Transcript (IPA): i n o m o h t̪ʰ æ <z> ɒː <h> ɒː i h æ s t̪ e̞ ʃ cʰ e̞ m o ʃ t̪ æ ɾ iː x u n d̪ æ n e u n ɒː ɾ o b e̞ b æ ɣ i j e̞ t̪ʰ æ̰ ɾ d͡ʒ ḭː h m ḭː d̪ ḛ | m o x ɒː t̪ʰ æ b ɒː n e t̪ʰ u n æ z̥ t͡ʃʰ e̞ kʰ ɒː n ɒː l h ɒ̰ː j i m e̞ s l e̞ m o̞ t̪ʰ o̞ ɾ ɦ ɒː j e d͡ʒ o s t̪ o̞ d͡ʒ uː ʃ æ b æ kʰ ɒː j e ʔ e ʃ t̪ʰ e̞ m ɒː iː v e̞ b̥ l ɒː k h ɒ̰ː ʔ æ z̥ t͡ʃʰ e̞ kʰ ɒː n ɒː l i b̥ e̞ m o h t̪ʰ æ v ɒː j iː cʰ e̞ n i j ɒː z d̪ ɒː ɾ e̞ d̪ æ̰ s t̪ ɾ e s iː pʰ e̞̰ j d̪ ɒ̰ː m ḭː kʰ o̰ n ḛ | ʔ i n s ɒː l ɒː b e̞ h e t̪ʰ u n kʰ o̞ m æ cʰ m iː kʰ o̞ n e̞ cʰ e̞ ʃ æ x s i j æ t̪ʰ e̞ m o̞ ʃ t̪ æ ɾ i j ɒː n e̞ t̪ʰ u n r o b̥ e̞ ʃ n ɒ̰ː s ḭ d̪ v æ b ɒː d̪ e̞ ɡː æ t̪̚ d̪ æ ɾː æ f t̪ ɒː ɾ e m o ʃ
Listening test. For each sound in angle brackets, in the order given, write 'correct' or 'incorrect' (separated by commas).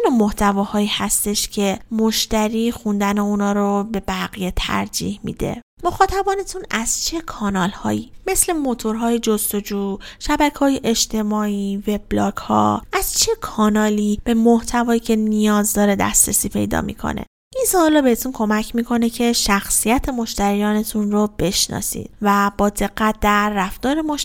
incorrect, correct